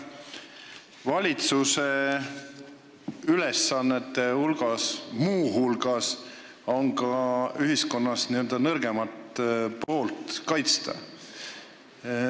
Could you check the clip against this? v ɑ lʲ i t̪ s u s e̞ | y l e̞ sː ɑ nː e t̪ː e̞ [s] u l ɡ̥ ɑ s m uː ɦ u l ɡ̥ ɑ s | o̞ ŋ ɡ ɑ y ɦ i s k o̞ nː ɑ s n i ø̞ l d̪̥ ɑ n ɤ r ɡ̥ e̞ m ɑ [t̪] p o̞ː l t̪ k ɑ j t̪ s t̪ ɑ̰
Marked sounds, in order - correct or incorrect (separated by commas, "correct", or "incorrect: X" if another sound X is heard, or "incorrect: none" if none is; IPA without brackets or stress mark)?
incorrect: h, correct